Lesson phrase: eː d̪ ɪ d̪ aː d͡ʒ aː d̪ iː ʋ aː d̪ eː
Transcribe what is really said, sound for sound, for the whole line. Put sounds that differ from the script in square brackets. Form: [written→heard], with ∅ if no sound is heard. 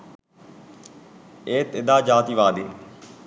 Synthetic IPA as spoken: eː [d̪→t̪] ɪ d̪ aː d͡ʒ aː [d̪→t̪] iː ʋ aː d̪ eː